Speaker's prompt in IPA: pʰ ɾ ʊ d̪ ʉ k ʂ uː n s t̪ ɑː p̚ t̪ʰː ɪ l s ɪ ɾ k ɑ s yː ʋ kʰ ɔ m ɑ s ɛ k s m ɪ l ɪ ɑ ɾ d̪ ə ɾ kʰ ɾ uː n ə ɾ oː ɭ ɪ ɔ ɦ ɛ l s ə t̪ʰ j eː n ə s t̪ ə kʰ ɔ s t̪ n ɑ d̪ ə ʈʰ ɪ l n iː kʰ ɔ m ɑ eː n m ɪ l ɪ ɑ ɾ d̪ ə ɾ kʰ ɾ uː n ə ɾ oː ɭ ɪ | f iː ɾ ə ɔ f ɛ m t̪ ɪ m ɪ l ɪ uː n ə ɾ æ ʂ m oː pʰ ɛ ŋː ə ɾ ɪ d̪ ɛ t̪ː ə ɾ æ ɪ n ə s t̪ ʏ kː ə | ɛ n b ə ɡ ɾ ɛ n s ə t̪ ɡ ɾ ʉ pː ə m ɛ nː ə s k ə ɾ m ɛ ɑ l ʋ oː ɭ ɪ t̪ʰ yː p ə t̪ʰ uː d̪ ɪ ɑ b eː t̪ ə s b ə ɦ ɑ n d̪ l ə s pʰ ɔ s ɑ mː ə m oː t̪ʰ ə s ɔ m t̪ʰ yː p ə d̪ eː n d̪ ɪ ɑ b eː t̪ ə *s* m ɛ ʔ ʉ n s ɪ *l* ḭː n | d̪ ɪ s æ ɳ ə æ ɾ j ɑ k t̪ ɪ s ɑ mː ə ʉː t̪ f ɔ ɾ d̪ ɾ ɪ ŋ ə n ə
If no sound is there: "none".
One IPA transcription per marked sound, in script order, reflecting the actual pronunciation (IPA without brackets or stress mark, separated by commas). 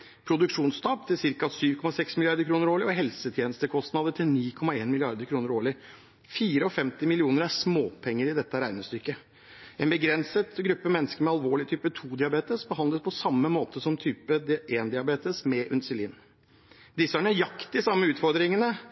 s, l